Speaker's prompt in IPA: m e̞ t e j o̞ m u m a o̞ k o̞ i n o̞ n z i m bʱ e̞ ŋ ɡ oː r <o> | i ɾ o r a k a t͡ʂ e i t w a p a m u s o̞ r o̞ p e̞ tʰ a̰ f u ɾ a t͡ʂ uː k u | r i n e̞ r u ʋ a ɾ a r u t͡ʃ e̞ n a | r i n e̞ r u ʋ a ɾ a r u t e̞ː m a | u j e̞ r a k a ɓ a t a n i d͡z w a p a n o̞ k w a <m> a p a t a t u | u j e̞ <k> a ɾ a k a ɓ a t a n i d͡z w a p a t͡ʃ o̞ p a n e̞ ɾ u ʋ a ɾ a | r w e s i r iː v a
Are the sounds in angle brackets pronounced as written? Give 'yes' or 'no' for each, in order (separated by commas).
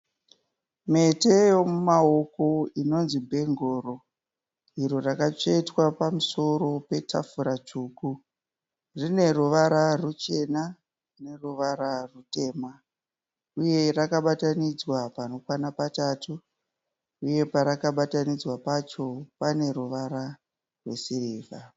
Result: yes, no, no